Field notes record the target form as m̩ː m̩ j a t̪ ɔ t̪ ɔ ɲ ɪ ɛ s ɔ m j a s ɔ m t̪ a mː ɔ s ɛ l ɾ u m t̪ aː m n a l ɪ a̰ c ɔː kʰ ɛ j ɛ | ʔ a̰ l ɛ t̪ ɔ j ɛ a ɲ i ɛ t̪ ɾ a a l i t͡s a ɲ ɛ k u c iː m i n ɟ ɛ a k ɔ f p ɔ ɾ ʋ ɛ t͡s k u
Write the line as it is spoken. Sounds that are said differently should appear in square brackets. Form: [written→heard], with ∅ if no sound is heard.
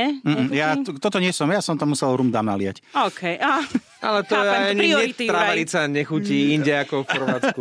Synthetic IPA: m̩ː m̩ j a t̪ ɔ t̪ ɔ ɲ ɪ ɛ s ɔ m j a s ɔ m t̪ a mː [ɔ→u] s ɛ l ɾ u m [t̪→d̪] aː m n a l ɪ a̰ c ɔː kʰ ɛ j [ɛ→a] | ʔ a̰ l ɛ t̪ ɔ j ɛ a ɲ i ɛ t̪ ɾ a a l i t͡s a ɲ ɛ [k→x] u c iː [m→∅] i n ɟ ɛ a k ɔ f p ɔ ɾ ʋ [ɛ→a] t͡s k u